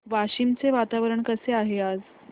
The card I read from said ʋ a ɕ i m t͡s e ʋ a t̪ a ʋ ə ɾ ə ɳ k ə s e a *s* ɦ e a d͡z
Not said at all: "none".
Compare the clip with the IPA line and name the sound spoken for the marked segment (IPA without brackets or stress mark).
none